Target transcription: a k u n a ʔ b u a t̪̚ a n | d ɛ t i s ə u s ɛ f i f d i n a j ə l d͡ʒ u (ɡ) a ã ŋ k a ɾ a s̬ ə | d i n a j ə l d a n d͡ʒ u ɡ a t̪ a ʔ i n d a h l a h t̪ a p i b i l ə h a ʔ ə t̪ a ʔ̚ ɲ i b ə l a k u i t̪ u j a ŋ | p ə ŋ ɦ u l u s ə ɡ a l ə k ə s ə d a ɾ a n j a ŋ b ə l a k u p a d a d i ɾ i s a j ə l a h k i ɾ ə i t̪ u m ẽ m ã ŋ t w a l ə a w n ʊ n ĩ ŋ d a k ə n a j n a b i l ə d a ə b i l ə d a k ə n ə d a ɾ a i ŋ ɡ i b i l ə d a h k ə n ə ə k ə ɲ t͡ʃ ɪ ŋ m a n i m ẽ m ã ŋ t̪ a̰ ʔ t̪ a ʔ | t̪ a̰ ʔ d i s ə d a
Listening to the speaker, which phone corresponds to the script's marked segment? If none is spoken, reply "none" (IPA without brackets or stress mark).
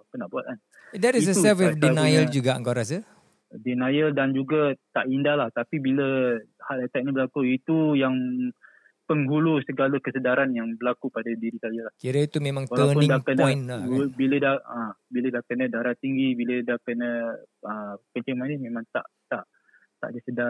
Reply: ɡ